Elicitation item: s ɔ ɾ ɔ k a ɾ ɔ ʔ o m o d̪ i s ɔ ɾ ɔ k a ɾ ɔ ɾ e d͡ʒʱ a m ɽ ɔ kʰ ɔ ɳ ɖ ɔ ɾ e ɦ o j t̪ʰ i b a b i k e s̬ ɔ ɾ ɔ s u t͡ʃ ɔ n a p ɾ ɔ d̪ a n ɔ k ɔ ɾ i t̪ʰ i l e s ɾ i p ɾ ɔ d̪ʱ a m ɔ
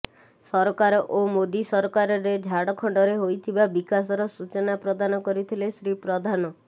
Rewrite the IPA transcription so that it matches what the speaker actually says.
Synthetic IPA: s ɔ ɾ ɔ k a ɾ ɔ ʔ o m o d̪ i s ɔ ɾ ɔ k a ɾ ɔ ɾ e d͡ʒʱ a ɽ ɔ kʰ ɔ ɳ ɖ ɔ ɾ e ɦ o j t̪ʰ i b a b i k a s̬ ɔ ɾ ɔ s u t͡ʃ ɔ n a p ɾ ɔ d̪ a n ɔ k ɔ ɾ i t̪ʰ i l e s ɾ i p ɾ ɔ d̪ʱ a n ɔ